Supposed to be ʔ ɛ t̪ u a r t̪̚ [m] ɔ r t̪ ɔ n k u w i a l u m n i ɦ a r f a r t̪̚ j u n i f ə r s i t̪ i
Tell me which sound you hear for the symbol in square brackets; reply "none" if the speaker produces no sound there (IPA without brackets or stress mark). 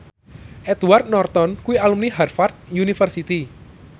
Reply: n